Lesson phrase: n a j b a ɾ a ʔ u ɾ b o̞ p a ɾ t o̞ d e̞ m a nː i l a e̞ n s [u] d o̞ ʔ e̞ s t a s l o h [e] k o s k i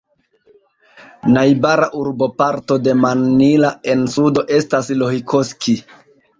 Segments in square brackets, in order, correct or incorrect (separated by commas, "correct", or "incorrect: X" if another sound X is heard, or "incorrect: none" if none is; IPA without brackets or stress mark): correct, incorrect: i